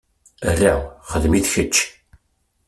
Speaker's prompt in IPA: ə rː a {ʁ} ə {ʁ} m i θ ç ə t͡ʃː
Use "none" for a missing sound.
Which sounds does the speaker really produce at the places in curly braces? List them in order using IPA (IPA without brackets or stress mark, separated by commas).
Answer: χ, ð